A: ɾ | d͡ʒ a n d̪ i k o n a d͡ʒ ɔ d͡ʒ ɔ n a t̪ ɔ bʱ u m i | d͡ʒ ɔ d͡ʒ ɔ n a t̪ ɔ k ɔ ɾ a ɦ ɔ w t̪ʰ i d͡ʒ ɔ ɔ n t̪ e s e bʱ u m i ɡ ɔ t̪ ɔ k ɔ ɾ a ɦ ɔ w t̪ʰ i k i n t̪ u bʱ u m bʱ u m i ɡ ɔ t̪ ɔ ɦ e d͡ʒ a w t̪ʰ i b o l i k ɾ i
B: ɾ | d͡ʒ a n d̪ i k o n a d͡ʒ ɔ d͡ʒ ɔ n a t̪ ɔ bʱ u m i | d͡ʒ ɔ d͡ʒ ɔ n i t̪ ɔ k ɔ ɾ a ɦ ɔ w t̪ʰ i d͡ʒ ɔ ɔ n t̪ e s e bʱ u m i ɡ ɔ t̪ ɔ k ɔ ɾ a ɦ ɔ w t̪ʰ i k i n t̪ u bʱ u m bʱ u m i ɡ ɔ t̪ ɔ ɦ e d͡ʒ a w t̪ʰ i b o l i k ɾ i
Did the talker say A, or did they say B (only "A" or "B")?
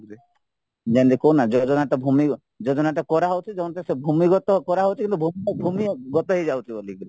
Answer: A